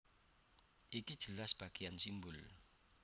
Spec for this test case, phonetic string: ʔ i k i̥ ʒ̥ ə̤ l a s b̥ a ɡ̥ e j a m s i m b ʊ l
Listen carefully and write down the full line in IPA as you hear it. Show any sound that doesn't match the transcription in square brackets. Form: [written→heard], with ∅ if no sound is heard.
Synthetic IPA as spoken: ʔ i k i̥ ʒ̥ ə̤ l a s b̥ a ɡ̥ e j a [m→n] s i m b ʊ l